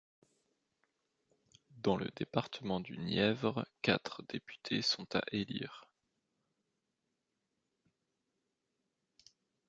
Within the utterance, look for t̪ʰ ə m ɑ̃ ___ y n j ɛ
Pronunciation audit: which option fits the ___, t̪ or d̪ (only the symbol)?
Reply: d̪